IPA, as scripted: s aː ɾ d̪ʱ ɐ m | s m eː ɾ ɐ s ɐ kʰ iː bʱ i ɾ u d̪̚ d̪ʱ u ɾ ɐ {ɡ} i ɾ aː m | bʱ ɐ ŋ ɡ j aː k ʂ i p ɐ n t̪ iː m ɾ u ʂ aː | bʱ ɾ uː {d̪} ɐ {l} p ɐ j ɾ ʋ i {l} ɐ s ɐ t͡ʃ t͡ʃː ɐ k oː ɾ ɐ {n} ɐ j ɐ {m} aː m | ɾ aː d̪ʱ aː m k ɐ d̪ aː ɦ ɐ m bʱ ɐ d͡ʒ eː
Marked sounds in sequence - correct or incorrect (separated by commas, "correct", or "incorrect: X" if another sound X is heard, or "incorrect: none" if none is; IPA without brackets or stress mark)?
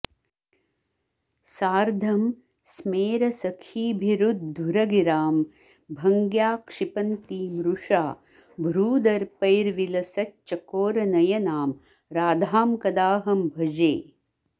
correct, correct, incorrect: ɾ, correct, correct, incorrect: n